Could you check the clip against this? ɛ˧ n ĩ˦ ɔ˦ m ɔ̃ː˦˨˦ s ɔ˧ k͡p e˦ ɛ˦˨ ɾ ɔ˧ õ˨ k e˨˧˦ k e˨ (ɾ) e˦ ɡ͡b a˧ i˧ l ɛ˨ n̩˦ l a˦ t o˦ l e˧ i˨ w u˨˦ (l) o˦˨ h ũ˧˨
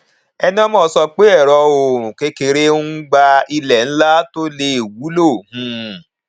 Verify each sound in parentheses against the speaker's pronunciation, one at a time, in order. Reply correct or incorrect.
correct, correct

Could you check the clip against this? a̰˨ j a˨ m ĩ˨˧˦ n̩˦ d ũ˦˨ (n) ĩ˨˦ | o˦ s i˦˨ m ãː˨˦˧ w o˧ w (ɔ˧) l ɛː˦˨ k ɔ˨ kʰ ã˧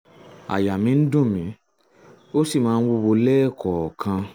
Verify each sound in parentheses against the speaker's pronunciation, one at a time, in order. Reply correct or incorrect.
incorrect: m, incorrect: o˧

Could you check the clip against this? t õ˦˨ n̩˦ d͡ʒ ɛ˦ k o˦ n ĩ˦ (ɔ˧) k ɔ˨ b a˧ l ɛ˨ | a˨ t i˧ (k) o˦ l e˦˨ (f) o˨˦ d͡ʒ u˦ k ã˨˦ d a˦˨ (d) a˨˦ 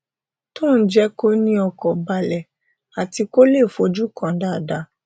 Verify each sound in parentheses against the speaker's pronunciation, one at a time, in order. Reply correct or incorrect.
correct, correct, correct, correct

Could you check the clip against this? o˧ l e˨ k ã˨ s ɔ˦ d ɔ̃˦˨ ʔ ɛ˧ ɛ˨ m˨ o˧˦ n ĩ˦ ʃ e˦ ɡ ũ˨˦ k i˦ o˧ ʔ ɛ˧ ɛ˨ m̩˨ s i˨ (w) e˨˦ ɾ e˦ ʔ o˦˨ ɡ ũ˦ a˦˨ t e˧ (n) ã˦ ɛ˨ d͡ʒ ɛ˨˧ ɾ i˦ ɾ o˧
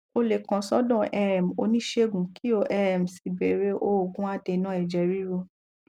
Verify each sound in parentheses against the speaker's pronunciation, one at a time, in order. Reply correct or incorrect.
incorrect: b, correct

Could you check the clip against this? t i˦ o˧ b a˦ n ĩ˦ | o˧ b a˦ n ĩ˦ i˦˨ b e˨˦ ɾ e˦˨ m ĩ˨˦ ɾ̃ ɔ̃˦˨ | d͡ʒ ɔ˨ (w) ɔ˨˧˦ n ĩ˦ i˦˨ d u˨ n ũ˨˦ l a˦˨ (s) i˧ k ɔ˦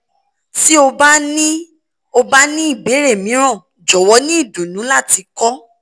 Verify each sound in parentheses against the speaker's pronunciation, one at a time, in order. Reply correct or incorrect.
correct, incorrect: t

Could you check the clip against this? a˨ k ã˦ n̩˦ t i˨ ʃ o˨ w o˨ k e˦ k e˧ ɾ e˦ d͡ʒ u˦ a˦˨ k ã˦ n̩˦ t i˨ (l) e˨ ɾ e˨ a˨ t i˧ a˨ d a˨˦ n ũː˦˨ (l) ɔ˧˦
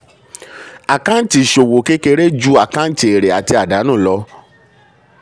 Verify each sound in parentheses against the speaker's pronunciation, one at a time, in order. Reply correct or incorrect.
incorrect: none, correct

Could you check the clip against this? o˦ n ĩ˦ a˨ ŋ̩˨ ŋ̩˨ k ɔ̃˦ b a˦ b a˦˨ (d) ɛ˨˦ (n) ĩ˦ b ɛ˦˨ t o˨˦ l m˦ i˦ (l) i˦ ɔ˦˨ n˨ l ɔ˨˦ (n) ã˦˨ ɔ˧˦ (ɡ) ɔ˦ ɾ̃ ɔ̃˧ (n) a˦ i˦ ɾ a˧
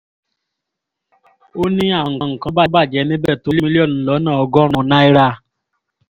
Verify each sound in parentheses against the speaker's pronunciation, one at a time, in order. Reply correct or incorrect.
incorrect: d͡ʒ, correct, correct, correct, correct, correct

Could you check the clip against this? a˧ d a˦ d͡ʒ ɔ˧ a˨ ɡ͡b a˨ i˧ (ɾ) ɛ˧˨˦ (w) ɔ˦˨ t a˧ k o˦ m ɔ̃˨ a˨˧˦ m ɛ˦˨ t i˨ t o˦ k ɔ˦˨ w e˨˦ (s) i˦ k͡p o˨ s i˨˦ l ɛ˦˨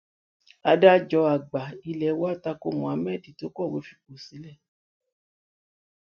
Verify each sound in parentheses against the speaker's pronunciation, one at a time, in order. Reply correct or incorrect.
incorrect: l, correct, incorrect: f

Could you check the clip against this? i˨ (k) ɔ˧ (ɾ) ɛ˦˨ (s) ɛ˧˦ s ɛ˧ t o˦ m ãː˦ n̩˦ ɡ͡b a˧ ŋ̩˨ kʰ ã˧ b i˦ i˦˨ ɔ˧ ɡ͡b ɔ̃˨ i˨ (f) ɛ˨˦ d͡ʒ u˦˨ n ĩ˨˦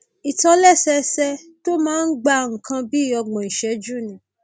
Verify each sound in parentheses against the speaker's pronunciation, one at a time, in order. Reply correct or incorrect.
incorrect: t, incorrect: l, correct, incorrect: ʃ

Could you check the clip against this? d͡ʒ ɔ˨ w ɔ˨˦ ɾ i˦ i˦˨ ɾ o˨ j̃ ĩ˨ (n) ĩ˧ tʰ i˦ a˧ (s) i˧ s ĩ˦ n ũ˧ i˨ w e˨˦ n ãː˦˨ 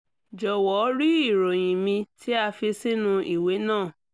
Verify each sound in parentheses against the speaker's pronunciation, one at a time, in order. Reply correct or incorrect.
incorrect: m, incorrect: f

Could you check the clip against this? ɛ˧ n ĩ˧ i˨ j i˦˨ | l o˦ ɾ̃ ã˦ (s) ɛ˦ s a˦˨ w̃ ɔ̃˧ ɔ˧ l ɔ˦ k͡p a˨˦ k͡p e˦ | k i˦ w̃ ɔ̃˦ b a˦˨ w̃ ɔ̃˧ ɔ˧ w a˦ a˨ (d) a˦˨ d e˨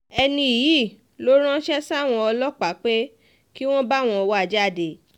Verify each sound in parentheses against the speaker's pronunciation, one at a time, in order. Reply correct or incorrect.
incorrect: ʃ, incorrect: d͡ʒ

